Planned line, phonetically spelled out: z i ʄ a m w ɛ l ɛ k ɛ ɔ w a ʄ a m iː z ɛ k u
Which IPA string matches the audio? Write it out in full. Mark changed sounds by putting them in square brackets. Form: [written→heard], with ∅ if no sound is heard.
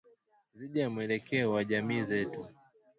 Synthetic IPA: z i ʄ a m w ɛ l ɛ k ɛ ɔ w a ʄ a m iː z ɛ [k→t] u